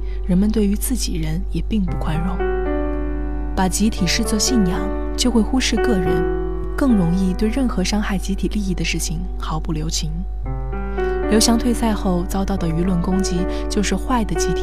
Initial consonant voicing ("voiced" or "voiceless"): voiced